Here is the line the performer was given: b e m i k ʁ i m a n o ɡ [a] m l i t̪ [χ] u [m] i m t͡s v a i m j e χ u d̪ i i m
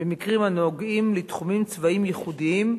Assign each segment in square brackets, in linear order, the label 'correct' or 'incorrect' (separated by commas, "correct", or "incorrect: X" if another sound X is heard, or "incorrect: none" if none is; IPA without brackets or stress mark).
incorrect: i, correct, correct